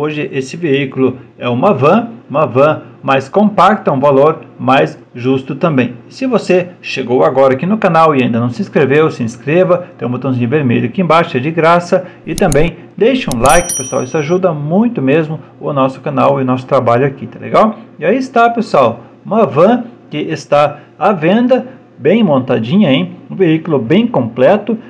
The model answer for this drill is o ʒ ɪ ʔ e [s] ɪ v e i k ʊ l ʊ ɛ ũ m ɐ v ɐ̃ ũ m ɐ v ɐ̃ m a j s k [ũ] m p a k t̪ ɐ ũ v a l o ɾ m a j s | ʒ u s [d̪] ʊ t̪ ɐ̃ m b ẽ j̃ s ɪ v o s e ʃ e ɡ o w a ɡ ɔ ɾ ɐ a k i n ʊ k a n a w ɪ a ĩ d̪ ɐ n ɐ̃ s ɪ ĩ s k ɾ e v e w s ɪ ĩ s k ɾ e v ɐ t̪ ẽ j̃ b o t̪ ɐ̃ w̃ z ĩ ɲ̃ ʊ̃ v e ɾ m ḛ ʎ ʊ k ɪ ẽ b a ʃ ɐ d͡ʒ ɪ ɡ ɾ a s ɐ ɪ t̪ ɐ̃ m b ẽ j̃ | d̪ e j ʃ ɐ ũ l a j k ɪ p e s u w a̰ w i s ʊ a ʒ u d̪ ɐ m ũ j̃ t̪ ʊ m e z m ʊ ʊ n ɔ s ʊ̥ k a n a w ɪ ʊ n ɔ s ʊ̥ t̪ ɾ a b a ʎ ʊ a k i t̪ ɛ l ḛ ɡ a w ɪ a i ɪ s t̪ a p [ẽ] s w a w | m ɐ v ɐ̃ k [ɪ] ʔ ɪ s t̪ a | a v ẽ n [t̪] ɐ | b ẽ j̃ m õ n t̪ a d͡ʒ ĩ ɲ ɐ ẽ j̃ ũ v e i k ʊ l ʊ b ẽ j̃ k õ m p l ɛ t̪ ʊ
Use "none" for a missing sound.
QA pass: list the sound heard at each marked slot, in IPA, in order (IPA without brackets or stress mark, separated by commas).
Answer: s, õ, t̪, e, ɪ, d̪